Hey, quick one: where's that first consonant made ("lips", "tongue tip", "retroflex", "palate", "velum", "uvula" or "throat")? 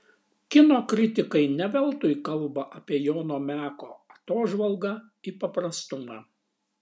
velum